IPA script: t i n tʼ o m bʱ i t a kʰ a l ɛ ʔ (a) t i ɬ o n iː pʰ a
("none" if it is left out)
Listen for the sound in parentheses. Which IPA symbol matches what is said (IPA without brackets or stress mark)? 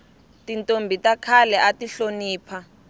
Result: a